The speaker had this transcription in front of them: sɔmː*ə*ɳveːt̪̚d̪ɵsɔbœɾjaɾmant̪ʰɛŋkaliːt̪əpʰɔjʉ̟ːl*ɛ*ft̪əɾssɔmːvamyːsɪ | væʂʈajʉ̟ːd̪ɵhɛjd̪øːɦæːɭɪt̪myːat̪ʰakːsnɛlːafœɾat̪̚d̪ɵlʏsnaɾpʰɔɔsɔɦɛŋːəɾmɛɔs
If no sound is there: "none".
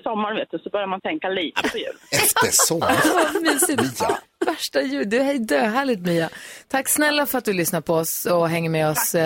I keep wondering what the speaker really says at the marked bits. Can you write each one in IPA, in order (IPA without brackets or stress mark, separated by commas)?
a, ɛ